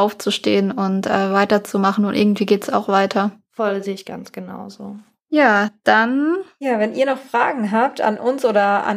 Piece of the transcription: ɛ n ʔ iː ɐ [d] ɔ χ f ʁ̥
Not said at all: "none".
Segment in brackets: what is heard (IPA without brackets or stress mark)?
n